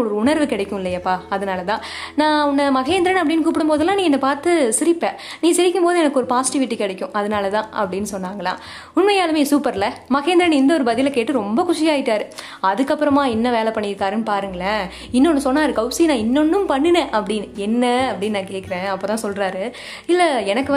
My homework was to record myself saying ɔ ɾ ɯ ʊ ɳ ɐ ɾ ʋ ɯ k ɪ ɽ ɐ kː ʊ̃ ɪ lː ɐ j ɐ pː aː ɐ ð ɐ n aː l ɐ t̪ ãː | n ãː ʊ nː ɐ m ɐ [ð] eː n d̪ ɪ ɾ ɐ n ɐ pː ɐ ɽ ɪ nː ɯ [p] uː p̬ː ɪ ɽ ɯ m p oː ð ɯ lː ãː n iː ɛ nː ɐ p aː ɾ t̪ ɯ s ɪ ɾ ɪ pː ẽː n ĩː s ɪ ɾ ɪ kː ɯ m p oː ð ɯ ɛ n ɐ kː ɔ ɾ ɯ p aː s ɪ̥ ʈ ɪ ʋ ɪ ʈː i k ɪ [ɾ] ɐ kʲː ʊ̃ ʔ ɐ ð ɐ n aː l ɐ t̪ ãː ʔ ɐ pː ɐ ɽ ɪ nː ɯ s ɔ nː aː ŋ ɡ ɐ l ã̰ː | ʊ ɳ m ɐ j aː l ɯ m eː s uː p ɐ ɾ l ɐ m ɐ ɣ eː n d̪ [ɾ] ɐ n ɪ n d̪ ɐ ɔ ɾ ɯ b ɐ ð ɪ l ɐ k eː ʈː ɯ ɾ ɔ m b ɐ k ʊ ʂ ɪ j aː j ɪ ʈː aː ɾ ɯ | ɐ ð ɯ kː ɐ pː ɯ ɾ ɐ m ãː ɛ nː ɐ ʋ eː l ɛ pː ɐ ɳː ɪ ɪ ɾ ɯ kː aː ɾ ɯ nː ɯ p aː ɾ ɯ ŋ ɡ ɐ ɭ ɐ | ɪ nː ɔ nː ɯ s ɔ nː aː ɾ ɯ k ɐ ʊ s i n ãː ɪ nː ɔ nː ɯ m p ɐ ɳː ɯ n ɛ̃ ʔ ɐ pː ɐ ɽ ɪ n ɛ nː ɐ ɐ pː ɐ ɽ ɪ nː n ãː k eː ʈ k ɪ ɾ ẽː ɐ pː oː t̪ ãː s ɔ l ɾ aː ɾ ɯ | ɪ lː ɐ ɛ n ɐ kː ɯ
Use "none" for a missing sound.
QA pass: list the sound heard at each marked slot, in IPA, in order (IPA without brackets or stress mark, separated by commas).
ɣ, k, ɽ, ɾ